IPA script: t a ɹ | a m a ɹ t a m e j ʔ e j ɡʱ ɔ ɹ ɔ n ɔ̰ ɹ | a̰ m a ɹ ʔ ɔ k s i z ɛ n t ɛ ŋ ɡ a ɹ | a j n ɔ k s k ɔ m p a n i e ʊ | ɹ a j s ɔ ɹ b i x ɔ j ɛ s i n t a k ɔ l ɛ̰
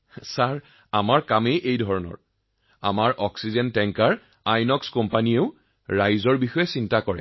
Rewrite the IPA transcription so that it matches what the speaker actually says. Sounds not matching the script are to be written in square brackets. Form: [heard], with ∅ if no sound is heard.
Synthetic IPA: [s] a ɹ | a m a ɹ [k] a m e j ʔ e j [dʱ] ɔ ɹ ɔ n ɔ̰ ɹ | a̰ m a ɹ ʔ ɔ k s i z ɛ n t ɛ ŋ [k] a ɹ | a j n ɔ k s k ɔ m p a n i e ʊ | ɹ a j [z] ɔ ɹ b i x ɔ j ɛ s i n t a k ɔ [ɹ] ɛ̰

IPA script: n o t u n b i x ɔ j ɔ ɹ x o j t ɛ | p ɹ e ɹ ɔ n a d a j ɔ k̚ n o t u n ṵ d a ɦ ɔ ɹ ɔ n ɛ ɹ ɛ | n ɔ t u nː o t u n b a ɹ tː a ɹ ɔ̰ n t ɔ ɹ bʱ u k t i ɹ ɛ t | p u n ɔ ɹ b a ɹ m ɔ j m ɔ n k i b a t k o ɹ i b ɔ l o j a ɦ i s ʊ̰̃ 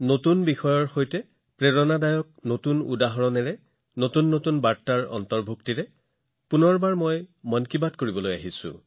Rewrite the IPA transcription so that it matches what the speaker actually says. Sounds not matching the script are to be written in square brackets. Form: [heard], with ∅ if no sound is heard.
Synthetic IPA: n o t u n b i x ɔ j ɔ ɹ x o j t ɛ | p ɹ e ɹ ɔ n a d a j ɔ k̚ n o t u n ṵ d a ɦ ɔ ɹ ɔ n ɛ ɹ ɛ | n [o] t u nː o t u n b a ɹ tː a ɹ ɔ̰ n t ɔ ɹ bʱ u k t i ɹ ɛ [∅] | p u n ɔ ɹ b a ɹ m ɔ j m ɔ n k i b a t k o ɹ i b ɔ l o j a ɦ i s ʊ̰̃

